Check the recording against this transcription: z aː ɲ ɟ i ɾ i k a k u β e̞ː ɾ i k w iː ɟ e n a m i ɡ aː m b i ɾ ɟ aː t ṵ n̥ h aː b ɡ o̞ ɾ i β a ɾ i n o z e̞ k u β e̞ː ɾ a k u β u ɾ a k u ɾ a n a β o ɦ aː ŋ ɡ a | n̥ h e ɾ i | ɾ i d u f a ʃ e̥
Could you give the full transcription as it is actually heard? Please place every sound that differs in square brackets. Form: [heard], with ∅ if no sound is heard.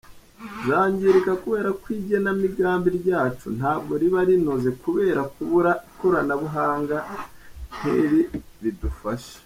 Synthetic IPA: z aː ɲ ɟ i ɾ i k a k u β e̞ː ɾ [a] k w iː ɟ e n a m i ɡ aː m b i ɾ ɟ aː [t͡ʃ] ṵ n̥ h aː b ɡ o̞ ɾ i β a ɾ i n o z e̞ k u β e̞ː ɾ a k u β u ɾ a k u ɾ a n a β [u] ɦ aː ŋ ɡ a | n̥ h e ɾ i | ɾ i d u f a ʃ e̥